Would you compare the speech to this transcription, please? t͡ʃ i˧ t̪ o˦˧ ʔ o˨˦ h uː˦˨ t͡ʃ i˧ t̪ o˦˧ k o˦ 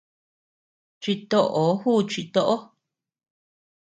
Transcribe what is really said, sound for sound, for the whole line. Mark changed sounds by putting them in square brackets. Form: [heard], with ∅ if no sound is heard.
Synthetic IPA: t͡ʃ i˧ t̪ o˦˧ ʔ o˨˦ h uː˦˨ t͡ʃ i˧ t̪ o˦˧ [ʔ] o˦